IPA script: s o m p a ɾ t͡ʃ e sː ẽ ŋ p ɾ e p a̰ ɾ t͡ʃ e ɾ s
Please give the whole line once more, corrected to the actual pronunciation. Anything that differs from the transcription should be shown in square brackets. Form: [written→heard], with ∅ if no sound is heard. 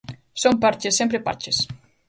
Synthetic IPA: s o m p a ɾ t͡ʃ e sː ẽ [ŋ→m] p ɾ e p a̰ ɾ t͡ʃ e [ɾ→∅] s